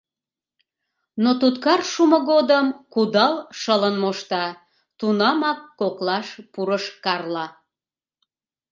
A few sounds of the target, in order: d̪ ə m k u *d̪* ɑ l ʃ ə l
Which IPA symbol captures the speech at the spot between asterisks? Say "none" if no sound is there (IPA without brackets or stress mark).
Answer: d̪